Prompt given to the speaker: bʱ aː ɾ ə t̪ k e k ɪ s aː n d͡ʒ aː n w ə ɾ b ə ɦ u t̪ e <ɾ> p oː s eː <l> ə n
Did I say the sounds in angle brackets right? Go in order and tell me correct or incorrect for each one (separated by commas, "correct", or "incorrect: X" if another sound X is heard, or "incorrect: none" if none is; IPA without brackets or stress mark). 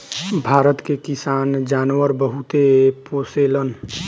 incorrect: none, correct